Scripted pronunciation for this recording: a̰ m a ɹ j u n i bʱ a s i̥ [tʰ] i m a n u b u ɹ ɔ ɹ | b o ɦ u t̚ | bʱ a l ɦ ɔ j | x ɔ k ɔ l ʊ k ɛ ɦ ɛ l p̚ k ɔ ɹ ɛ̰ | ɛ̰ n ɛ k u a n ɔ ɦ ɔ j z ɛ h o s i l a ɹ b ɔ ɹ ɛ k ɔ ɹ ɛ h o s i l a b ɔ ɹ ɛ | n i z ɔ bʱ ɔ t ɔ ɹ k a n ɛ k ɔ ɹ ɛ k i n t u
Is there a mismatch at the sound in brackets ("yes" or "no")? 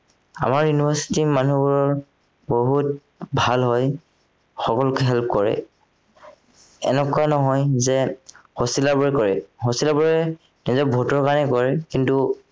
yes